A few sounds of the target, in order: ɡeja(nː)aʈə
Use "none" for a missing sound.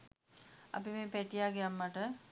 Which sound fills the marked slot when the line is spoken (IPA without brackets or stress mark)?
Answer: mː